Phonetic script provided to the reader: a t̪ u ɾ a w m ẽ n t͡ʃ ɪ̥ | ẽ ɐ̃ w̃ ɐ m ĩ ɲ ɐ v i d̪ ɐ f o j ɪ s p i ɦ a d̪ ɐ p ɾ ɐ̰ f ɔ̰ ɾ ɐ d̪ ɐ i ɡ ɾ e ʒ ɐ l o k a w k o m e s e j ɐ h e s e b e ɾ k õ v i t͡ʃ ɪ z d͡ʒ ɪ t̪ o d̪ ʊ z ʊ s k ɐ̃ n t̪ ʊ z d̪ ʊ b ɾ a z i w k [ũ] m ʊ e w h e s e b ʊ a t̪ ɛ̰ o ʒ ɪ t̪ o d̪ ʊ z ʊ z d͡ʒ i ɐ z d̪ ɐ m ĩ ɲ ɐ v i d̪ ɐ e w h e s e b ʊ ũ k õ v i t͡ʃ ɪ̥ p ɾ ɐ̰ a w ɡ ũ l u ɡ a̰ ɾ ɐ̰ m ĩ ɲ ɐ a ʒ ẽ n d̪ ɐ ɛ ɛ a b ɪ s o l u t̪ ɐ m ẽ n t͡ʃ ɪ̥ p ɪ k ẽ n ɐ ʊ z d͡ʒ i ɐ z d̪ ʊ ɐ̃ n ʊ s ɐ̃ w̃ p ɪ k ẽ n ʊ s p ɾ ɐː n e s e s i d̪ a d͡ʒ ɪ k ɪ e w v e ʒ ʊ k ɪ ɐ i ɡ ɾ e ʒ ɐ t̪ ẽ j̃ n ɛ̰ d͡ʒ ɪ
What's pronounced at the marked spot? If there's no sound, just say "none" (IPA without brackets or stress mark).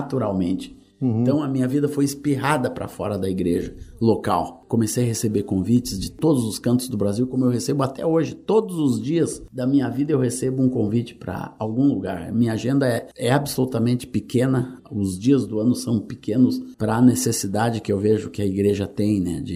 õ